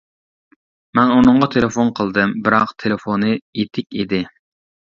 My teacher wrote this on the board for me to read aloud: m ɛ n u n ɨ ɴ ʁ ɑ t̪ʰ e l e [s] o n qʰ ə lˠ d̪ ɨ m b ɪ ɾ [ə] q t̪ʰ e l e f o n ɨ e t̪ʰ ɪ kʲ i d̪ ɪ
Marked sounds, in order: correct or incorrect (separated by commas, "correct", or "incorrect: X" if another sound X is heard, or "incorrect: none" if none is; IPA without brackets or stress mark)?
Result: incorrect: f, incorrect: ɑ